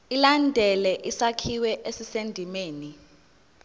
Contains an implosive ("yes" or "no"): no